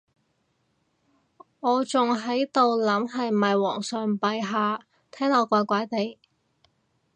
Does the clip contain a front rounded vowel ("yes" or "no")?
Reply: yes